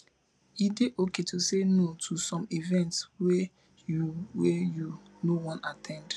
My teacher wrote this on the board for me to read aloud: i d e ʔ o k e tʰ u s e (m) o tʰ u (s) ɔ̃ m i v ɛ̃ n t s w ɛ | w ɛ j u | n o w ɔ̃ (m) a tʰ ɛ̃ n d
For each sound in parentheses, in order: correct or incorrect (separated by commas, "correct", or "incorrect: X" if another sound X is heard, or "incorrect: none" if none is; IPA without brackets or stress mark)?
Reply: incorrect: n, correct, incorrect: n